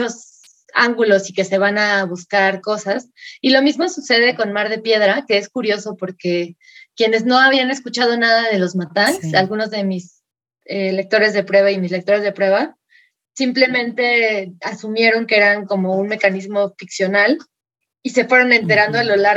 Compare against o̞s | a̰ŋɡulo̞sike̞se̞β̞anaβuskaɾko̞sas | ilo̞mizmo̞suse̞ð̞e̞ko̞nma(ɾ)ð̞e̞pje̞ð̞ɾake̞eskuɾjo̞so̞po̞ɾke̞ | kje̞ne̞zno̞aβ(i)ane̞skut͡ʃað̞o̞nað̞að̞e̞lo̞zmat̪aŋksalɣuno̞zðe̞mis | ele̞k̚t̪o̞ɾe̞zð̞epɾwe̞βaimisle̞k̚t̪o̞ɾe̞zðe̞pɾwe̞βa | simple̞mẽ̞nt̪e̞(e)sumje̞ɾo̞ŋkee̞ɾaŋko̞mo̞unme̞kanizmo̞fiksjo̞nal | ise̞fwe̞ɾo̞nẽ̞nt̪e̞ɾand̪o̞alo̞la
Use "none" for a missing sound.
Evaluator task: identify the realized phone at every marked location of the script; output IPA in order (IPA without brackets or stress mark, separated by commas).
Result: ɾ, i, a